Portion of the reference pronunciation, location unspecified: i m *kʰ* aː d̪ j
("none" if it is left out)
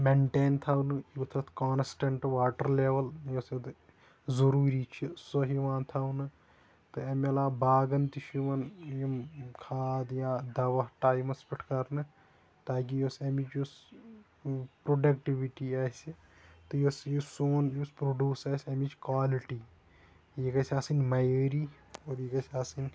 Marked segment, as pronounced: kʰ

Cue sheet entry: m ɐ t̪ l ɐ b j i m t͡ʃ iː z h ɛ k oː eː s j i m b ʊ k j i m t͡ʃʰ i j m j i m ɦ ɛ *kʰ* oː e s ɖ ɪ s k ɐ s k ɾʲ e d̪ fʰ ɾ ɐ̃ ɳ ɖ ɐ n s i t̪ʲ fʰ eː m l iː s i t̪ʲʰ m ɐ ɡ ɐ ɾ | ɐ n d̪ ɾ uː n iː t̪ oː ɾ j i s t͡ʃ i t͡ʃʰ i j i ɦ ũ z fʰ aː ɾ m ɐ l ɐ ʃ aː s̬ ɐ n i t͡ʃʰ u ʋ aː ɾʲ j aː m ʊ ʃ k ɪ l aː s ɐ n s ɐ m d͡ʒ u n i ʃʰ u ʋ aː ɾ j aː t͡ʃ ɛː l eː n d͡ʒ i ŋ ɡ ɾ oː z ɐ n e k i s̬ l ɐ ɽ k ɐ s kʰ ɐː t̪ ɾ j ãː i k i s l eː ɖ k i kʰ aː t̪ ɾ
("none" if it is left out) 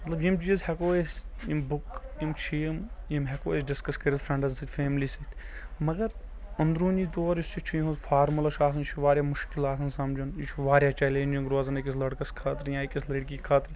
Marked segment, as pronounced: k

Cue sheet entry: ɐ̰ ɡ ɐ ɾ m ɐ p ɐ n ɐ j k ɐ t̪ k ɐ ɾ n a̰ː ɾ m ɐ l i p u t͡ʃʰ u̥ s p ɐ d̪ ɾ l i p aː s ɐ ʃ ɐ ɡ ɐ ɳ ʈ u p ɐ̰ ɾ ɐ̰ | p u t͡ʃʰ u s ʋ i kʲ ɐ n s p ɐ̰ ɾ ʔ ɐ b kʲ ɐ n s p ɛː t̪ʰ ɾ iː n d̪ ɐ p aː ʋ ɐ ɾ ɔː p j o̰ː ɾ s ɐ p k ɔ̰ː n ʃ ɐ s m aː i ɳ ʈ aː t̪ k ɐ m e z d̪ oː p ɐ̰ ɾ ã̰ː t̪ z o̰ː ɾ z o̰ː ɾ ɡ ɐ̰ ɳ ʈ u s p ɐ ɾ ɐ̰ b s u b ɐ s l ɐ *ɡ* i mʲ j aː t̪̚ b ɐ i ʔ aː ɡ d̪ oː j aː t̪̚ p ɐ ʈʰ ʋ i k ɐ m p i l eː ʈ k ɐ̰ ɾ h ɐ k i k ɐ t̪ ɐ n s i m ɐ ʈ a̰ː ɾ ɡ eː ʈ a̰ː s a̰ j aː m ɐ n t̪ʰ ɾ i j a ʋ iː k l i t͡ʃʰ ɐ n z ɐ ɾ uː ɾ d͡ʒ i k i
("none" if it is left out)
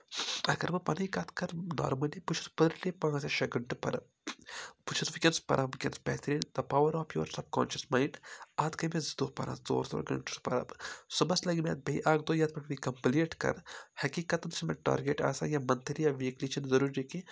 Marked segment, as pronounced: ɡ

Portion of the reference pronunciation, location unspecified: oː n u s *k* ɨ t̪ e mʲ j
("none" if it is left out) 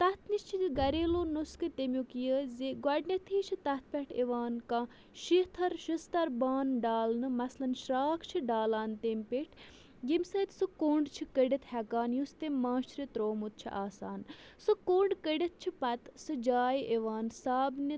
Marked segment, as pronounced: k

